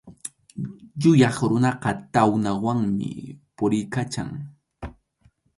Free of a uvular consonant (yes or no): no